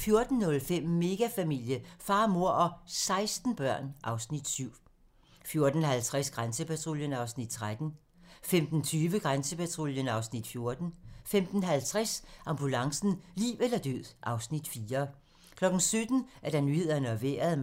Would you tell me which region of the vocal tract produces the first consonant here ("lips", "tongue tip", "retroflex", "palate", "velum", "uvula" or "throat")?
lips